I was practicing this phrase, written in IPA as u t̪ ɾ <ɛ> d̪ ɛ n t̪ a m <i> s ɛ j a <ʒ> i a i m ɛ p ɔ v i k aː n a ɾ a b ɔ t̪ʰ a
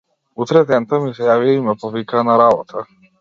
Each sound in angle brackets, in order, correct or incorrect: correct, correct, incorrect

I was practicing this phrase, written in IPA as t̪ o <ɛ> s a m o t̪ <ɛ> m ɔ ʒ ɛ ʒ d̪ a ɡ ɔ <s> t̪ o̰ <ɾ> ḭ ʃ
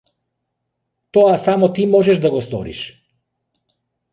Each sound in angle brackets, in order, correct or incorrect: incorrect, incorrect, correct, correct

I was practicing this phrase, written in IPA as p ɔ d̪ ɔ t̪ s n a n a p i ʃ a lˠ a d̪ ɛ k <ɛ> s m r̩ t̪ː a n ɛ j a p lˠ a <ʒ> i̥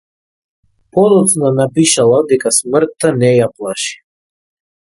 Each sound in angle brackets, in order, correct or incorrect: incorrect, incorrect

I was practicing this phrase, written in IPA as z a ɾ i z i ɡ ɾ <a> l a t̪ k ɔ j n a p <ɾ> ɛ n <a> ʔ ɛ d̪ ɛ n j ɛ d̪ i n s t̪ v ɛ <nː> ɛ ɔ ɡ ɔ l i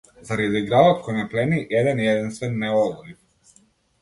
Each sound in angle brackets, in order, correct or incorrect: correct, incorrect, incorrect, correct

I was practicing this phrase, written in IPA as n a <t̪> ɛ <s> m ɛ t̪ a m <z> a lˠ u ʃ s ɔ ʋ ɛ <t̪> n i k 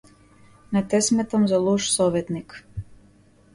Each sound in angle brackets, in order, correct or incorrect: correct, correct, correct, correct

